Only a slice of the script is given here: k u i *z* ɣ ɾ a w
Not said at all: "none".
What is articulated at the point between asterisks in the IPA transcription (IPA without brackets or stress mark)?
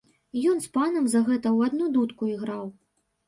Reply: none